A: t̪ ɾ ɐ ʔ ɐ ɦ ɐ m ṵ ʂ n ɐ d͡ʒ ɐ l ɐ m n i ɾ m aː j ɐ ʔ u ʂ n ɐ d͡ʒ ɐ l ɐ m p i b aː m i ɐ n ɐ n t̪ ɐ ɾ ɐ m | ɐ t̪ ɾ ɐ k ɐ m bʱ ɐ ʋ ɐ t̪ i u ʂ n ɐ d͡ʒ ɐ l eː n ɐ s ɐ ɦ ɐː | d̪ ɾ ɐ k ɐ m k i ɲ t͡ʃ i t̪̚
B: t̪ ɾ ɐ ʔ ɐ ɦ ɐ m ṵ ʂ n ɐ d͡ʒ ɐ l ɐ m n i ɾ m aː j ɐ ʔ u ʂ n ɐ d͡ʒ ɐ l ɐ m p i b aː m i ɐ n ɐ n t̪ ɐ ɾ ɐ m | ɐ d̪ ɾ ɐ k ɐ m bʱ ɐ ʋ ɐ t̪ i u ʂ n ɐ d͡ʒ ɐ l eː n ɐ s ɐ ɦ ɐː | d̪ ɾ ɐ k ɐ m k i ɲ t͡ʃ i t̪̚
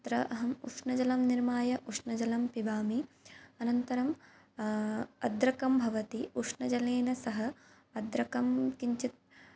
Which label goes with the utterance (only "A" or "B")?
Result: B